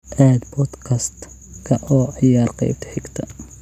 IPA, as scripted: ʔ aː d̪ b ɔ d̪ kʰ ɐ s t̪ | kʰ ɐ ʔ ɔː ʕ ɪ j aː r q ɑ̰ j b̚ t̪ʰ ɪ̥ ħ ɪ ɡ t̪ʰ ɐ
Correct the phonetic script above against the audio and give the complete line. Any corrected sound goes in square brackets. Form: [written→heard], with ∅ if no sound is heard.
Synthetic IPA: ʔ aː d̪ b ɔ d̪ kʰ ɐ s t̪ | kʰ ɐ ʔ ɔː ʕ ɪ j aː r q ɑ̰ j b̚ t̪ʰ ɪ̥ ħ ɪ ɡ t̪ʰ ɐ